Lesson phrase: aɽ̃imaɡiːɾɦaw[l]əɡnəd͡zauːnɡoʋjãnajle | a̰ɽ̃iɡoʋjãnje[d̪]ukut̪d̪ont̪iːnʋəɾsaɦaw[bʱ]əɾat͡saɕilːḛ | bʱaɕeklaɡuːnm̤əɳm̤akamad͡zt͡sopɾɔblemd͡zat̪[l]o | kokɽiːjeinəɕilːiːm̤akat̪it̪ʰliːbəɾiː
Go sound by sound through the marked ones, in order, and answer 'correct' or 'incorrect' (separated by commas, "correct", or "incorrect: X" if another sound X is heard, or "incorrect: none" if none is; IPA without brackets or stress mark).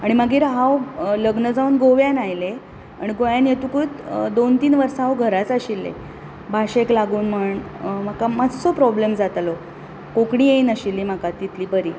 correct, incorrect: t̪, incorrect: ɡʱ, correct